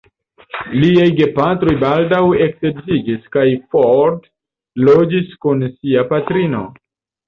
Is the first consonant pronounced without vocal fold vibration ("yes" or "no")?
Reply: no